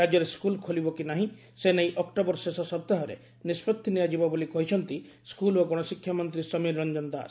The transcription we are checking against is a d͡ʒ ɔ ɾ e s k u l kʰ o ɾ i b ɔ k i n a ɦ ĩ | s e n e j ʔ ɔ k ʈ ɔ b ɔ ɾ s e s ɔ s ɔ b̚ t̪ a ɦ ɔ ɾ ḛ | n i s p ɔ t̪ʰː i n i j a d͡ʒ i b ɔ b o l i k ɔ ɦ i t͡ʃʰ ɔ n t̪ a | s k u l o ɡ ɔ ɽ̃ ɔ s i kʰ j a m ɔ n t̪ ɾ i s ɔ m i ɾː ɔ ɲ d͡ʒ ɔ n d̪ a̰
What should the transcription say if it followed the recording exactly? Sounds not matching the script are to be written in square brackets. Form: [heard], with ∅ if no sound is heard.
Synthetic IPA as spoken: a d͡ʒ ɔ ɾ e s k u l kʰ o [l] i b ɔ k i n a ɦ ĩ | s e n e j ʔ ɔ k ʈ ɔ b ɔ ɾ s e s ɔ s ɔ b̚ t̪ a ɦ ɔ ɾ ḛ | n i s p ɔ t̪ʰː i n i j a d͡ʒ i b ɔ b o l i k ɔ ɦ i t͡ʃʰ ɔ n t̪ [i] | s k u l o ɡ ɔ ɽ̃ ɔ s i kʰ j a m ɔ n t̪ ɾ i s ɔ m i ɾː ɔ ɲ d͡ʒ ɔ n d̪ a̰